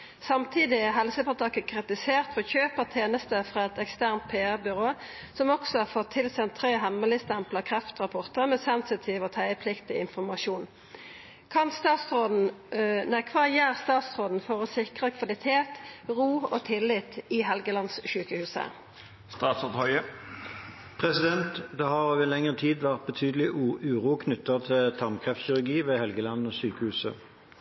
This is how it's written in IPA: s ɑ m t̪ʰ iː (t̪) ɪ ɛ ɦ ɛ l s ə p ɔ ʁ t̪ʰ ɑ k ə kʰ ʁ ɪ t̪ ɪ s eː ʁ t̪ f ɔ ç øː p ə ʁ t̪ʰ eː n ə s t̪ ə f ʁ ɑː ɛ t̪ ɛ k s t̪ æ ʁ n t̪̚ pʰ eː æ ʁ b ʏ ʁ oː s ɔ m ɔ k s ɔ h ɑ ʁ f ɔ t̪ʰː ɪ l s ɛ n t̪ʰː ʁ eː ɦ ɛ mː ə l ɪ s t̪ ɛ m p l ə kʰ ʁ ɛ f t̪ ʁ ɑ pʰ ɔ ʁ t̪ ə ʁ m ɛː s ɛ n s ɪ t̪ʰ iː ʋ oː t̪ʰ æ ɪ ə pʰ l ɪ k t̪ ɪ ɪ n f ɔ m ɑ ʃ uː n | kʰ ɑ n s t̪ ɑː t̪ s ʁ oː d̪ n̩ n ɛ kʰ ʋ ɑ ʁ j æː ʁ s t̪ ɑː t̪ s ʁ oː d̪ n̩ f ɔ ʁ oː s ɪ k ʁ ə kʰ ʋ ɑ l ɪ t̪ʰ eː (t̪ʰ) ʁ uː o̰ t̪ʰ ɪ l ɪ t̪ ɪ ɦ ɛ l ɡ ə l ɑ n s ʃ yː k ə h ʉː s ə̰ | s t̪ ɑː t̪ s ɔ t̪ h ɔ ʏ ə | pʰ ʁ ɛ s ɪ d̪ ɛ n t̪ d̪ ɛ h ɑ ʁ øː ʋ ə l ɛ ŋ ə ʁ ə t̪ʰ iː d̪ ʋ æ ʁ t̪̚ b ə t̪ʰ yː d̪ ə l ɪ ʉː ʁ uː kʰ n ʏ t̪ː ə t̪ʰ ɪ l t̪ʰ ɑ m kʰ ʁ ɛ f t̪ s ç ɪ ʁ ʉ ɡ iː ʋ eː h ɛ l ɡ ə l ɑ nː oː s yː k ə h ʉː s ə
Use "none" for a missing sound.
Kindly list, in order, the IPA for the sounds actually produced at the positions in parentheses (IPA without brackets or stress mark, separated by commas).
d̪, t̪